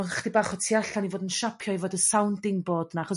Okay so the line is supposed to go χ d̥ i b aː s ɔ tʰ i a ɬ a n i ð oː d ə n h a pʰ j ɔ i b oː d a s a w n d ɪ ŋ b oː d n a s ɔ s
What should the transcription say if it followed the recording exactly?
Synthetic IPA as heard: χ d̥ i b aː χ ɔ tʰ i a ɬ a n i v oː d ə n ʃ a pʰ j ɔ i v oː d ə s a w n d ɪ ŋ b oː d n a χ ɔ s